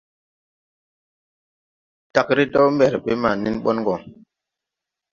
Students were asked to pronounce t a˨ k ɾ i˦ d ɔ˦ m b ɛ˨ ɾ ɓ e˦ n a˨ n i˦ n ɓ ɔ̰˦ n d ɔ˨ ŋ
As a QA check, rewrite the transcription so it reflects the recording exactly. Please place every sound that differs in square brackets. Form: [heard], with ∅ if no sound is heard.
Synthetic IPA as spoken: t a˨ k ɾ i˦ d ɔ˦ m b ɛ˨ ɾ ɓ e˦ [m] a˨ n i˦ n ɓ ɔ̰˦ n [ɡ] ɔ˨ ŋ